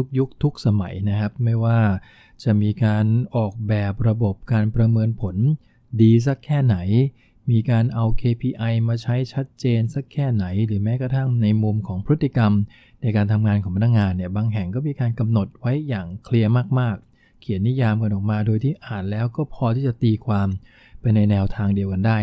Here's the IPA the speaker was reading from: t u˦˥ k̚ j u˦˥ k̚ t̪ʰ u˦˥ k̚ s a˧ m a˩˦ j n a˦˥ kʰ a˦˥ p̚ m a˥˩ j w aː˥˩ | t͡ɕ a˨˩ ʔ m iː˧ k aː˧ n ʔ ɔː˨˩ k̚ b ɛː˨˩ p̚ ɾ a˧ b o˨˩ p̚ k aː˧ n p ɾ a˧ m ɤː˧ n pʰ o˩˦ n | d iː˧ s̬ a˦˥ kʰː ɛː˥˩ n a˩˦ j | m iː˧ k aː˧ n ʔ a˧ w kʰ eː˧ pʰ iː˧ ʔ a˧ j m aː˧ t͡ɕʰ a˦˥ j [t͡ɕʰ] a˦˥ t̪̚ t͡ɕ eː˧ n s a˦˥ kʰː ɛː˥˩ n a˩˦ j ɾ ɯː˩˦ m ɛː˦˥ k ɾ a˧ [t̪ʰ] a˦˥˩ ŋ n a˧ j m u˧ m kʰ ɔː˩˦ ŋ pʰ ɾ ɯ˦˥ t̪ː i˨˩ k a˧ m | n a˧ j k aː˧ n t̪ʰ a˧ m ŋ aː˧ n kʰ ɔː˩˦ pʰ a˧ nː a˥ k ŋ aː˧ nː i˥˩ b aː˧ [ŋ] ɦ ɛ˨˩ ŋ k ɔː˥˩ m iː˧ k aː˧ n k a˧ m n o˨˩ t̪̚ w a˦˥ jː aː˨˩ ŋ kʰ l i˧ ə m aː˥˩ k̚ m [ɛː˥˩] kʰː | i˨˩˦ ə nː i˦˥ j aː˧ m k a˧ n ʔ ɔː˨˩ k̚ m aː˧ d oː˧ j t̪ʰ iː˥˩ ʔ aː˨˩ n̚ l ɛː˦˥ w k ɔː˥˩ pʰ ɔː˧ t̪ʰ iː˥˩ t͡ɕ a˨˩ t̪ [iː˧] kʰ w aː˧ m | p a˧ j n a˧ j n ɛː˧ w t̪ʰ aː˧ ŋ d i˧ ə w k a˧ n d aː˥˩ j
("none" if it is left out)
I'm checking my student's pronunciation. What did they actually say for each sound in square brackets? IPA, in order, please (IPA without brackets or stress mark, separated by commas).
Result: t͡ɕʰ, t̪ʰ, ŋ, aː˥˩, iː˧